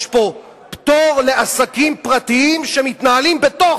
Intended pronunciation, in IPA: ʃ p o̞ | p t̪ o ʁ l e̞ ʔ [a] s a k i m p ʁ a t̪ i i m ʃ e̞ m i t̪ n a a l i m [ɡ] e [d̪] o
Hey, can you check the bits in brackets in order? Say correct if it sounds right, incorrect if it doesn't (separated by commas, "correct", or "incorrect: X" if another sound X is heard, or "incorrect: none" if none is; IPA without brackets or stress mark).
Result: correct, incorrect: b, incorrect: t̪